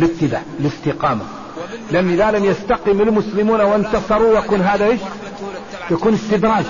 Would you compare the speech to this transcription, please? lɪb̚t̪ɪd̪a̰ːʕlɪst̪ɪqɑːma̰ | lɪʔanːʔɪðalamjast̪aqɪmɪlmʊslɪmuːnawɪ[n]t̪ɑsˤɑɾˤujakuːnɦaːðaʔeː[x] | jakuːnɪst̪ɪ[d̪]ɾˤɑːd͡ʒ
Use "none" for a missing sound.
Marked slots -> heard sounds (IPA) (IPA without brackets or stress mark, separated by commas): n, ʃ, d̪